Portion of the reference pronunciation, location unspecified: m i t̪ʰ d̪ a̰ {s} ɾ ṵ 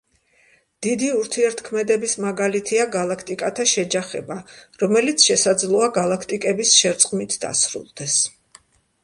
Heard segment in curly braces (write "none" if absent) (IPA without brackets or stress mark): s